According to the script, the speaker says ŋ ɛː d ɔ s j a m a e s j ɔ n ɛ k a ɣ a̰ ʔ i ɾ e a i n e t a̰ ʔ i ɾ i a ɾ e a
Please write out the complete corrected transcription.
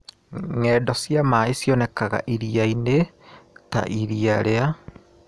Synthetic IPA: ŋ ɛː d ɔ s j a m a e s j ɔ n ɛ k a ɣ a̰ ʔ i ɾ i a i n e t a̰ ʔ i ɾ i a ɾ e a